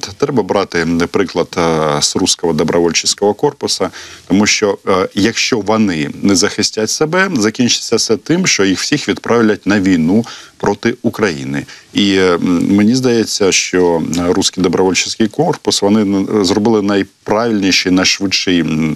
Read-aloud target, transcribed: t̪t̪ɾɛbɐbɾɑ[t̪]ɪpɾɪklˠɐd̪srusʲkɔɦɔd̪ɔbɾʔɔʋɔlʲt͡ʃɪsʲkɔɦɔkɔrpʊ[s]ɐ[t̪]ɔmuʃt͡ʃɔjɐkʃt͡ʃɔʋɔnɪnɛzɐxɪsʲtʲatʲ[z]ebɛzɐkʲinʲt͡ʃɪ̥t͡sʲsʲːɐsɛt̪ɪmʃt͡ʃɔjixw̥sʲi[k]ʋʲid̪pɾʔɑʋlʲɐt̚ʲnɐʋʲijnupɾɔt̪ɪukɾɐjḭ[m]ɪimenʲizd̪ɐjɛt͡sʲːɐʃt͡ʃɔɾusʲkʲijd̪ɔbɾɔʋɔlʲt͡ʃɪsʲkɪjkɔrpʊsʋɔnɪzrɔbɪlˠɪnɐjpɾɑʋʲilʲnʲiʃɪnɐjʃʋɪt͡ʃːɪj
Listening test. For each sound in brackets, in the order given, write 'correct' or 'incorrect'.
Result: correct, correct, correct, incorrect: s, incorrect: x, incorrect: n

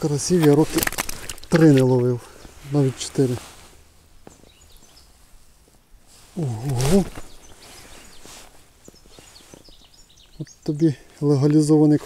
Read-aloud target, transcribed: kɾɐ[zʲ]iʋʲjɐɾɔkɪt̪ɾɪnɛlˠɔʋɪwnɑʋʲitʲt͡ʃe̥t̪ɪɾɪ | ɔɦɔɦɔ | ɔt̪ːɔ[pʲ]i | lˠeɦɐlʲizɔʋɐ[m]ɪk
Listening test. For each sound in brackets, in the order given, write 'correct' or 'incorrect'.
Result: incorrect: sʲ, incorrect: bʲ, incorrect: n

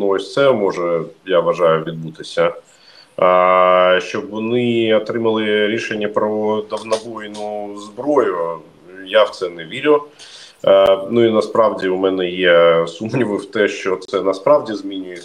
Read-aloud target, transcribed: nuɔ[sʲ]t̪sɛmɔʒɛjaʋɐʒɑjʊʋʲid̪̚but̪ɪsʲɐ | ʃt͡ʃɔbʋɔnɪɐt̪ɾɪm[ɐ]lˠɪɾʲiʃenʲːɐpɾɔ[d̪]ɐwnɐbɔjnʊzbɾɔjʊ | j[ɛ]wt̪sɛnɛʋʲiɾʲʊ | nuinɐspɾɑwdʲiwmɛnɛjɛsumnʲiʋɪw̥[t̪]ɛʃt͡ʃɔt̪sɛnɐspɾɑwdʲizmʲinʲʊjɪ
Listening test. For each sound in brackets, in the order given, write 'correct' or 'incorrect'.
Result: correct, correct, correct, incorrect: a, correct

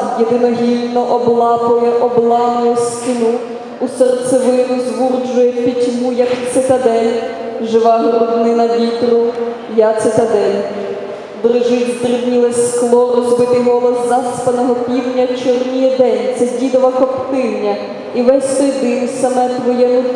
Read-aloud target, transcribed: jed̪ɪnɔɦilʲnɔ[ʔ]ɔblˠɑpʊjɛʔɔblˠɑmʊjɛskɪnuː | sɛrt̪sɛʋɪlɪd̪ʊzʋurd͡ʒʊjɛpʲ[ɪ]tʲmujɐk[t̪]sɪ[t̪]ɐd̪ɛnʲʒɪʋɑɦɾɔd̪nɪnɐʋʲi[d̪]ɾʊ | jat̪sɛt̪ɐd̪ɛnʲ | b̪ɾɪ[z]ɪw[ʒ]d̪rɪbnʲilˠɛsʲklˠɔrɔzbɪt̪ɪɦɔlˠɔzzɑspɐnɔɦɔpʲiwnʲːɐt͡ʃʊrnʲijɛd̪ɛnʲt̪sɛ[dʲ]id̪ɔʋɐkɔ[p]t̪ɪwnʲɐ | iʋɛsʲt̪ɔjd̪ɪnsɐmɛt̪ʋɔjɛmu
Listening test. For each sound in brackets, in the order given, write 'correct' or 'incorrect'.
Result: correct, incorrect: i, correct, correct, incorrect: t̪, incorrect: ʒ, incorrect: z, correct, correct

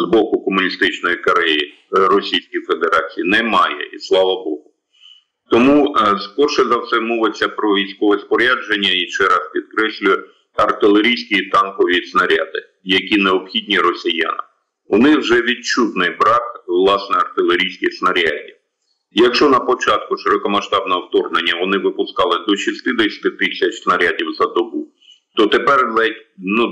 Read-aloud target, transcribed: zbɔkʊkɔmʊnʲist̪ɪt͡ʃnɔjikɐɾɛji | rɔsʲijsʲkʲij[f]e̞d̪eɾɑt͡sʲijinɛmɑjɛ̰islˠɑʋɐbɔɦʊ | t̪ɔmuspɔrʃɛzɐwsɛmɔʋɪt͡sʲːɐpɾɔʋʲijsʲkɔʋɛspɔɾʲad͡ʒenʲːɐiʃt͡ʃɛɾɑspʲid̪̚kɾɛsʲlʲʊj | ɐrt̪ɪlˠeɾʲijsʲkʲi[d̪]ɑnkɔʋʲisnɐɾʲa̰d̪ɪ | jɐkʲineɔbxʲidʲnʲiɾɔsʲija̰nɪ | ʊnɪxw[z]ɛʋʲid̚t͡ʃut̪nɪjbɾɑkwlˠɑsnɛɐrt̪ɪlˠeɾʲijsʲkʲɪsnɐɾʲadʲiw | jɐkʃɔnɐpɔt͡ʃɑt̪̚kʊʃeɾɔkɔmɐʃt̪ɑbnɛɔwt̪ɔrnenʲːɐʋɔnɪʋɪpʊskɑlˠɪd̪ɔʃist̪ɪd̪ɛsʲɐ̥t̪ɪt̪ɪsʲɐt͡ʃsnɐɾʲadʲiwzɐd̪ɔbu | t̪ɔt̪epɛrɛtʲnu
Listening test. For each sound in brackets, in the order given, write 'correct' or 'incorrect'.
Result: correct, incorrect: t̪, incorrect: ʒ

